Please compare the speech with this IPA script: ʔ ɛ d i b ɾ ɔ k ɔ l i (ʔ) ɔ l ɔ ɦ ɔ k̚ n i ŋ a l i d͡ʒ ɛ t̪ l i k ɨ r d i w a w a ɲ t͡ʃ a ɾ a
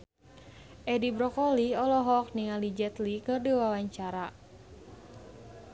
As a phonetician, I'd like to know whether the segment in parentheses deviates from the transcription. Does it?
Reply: yes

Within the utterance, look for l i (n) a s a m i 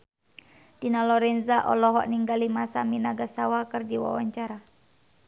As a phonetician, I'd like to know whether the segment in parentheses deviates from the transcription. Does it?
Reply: yes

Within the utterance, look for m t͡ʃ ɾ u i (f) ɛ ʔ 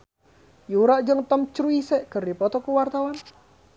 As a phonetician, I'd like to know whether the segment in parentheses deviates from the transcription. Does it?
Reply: yes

